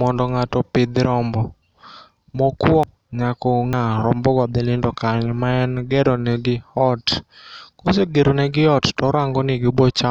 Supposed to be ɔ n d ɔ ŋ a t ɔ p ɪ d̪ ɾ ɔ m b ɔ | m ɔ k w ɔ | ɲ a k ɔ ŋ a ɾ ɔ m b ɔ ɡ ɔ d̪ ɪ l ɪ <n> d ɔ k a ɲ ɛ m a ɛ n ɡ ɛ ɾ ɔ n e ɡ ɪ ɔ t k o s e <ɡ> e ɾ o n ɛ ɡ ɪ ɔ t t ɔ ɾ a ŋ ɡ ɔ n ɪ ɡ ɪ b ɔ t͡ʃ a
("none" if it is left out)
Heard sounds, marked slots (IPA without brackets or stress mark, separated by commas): n, ɡ